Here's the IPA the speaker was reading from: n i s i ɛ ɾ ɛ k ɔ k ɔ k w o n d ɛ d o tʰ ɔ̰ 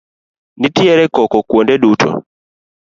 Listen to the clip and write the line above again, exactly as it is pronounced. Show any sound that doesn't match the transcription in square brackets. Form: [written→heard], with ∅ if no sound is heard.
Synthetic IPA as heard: n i [s→t] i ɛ ɾ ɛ k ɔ k ɔ k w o n d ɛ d [o→u] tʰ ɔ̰